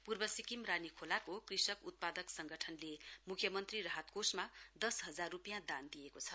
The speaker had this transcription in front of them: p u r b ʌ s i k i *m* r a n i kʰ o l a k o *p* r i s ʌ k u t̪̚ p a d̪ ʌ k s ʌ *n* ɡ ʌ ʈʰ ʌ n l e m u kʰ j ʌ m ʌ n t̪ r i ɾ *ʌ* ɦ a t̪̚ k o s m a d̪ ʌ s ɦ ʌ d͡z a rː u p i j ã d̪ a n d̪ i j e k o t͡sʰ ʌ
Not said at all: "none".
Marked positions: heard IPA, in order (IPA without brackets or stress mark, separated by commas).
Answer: m, k, ŋ, ʌ